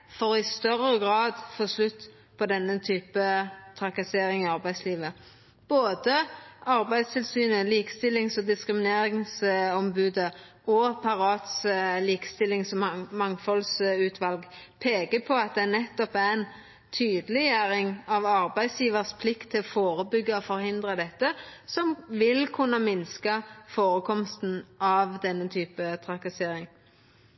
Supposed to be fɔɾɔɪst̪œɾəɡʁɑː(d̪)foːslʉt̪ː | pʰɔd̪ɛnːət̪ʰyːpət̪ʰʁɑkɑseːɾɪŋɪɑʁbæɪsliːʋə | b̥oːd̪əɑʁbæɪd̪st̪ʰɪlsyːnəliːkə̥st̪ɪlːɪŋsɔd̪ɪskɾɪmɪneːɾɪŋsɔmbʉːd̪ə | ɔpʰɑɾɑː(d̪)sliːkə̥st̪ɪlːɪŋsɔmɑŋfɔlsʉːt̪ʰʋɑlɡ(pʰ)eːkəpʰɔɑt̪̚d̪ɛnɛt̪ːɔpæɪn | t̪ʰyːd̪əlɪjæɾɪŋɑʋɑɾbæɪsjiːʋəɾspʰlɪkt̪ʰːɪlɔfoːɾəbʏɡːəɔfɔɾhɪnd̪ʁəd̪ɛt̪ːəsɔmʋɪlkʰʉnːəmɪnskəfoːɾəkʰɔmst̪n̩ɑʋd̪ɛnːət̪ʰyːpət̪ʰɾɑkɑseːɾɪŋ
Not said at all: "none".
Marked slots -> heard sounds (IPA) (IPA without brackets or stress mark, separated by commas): d̪, t̪, pʰ